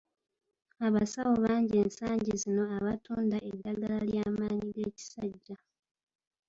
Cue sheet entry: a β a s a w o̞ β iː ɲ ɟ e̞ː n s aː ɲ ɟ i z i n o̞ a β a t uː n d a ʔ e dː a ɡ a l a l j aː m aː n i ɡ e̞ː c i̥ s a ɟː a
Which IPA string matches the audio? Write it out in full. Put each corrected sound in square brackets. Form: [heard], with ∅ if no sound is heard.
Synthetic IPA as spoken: a β a s a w o̞ β [aː] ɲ ɟ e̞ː n s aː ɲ ɟ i z i n o̞ a β a t uː n d a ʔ e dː a ɡ a l a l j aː m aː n i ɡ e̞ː c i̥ s a ɟː a

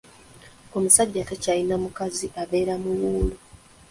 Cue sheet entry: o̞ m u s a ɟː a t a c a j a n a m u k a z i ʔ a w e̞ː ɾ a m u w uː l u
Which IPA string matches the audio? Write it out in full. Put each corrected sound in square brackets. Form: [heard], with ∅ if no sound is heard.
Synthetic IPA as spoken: o̞ m u s a ɟː a t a c a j [i] n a m u k a z i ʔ a [β] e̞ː ɾ a m u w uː l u

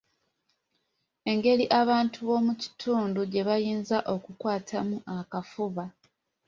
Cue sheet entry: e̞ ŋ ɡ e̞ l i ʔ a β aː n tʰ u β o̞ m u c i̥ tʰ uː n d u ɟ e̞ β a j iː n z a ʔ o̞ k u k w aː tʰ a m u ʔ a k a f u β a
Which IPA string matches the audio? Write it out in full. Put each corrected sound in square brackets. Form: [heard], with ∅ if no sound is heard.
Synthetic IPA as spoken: e̞ ŋ ɡ e̞ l i ʔ a β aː n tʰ u β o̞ m u c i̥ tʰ uː n d u ɟ e̞ β a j iː n z a ʔ o̞ k u k w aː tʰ a m u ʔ a k a f u β a

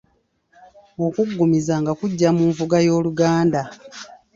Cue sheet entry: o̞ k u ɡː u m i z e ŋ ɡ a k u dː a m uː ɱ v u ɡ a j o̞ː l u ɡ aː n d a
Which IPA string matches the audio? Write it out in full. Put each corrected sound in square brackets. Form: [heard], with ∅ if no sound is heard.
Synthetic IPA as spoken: o̞ k u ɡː u m i z [a] ŋ ɡ a k u [ɟː] a m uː ɱ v u ɡ a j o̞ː l u ɡ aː n d a

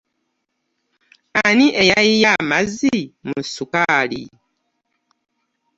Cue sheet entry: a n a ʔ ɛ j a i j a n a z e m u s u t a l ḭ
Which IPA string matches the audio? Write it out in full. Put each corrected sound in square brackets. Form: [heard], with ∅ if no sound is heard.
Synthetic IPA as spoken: a n [i] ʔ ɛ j a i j a [m] a z [i] m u s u [k] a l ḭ

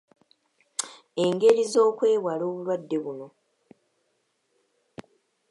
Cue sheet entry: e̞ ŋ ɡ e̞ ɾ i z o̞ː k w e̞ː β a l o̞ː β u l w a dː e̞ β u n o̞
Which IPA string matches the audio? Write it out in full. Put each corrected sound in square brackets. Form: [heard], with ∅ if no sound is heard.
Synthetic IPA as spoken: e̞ ŋ ɡ e̞ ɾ i z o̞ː k w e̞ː [w] a l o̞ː β u l w a dː e̞ β u n o̞

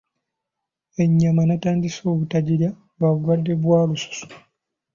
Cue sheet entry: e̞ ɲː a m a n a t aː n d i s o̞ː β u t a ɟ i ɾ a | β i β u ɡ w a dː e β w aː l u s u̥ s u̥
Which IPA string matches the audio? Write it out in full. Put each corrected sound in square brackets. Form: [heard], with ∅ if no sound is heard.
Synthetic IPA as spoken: e̞ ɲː a m a n a t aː n d i s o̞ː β u t a ɟ i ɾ a | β [a] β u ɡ w a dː e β w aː l u s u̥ s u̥

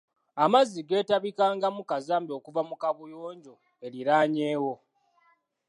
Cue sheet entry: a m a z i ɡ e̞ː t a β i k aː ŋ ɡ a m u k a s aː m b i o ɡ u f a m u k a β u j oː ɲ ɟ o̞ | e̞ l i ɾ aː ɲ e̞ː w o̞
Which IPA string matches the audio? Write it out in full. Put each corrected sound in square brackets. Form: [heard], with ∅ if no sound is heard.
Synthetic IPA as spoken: a m a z i ɡ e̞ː t a β i k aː ŋ ɡ a m u k a [z] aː m b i o [k] u [v] a m u k a β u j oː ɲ ɟ o̞ | e̞ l i ɾ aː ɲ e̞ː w o̞

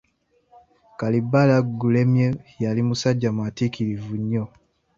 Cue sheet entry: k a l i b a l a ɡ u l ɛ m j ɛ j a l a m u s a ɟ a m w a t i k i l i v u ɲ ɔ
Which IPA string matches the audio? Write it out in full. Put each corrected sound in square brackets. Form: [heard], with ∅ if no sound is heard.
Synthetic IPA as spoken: k a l i b a l a ɡ u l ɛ m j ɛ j a l [i] m u s a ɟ a m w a t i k i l i v u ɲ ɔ

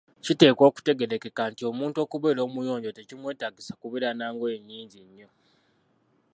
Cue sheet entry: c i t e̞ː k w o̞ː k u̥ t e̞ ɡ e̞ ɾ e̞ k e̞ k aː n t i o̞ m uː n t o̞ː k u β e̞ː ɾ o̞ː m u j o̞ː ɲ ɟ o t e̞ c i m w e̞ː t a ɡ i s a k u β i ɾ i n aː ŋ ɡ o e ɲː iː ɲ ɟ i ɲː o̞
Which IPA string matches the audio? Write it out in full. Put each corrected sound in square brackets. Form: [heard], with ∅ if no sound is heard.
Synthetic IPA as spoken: c i t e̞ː k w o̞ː k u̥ t e̞ ɡ e̞ ɾ e̞ k e̞ k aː n t i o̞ m uː n t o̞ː k u β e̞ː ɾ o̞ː m u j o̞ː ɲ ɟ o t e̞ c i m w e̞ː t a ɡ i s a k u β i ɾ [a] n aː ŋ ɡ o e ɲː iː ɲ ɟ i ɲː o̞

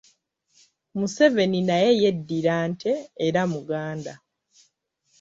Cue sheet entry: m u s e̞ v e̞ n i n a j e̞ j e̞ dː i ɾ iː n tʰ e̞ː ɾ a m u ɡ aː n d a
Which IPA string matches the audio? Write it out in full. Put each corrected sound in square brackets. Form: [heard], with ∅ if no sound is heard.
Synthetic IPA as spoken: m u s e̞ v e̞ n i n a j e̞ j e̞ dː i ɾ [aː] n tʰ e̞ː ɾ a m u ɡ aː n d a

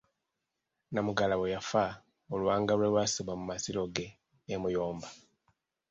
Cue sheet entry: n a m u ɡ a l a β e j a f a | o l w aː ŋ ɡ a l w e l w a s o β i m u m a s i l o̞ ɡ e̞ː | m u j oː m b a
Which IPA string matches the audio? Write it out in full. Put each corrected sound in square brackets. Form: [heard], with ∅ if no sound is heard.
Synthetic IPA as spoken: n a m u ɡ a l a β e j a f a | o l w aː ŋ ɡ a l w e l w a s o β [a] m u m a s i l o̞ ɡ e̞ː | m u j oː m b a

